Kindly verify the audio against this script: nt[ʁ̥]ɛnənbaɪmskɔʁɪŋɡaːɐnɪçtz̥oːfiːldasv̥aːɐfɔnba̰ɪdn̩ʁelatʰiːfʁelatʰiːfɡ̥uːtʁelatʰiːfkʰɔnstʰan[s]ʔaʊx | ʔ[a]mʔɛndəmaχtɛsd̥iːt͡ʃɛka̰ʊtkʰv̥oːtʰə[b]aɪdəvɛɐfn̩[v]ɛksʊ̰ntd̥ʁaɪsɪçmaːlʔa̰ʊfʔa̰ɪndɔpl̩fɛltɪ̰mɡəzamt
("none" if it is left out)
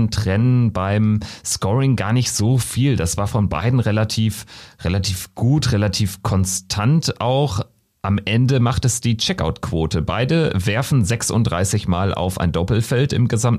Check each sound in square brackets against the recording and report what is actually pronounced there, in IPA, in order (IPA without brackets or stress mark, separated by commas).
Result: ʁ̥, t, a, b, z